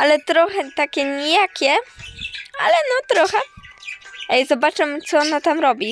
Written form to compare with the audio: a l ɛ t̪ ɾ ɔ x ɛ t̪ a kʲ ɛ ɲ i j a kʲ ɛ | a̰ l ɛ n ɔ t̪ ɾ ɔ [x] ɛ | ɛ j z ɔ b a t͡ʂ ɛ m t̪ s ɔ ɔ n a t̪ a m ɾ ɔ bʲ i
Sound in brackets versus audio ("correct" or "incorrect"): correct